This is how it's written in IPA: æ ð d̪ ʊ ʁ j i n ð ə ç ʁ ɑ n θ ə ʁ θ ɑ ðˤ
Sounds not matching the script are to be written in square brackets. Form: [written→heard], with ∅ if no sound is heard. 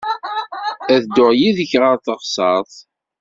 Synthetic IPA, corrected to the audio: æ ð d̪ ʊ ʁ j i [n→∅] ð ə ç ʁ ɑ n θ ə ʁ [θ→s] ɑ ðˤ